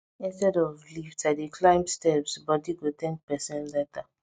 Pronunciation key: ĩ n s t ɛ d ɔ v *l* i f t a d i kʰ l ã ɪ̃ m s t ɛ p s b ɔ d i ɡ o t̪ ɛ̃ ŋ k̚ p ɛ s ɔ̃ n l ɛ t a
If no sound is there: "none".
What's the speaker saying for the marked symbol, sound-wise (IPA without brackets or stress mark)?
l